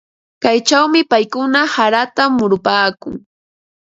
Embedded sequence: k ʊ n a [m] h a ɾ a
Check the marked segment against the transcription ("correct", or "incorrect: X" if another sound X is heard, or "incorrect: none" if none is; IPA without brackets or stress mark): incorrect: none